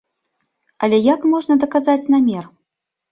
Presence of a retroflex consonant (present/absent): present